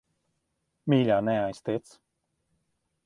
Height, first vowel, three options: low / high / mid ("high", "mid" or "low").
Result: high